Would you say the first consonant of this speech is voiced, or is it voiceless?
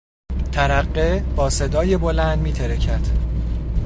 voiceless